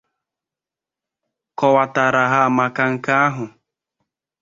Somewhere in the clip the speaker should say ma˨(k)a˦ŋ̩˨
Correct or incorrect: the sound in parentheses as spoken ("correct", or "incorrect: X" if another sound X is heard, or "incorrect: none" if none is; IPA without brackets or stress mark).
correct